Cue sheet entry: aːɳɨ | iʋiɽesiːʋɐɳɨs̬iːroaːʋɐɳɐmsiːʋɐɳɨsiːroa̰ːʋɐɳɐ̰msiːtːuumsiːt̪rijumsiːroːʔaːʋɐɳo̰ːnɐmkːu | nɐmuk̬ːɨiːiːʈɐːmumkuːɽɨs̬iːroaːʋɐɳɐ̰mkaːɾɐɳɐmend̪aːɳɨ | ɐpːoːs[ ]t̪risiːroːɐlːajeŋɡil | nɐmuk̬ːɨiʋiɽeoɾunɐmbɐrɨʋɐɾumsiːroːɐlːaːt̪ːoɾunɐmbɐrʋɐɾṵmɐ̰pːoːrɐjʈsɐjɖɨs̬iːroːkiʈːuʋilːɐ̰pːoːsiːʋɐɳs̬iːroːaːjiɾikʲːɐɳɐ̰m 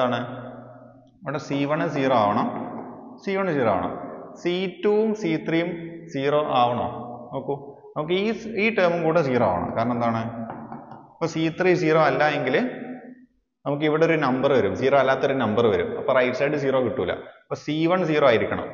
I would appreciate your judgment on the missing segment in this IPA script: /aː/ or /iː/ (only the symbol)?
iː